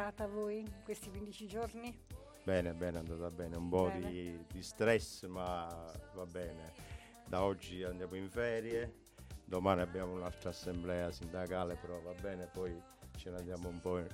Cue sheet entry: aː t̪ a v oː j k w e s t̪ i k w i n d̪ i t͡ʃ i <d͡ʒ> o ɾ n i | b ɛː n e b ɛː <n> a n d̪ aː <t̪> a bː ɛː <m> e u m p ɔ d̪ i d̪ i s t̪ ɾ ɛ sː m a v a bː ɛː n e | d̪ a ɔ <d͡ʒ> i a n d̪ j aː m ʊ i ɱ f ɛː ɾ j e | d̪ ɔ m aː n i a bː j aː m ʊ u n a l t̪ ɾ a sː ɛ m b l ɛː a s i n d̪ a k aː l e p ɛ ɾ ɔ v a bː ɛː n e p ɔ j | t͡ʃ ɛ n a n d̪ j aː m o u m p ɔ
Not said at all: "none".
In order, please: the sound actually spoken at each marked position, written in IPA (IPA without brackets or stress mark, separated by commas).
d͡ʒ, n, t̪, n, d͡ʒː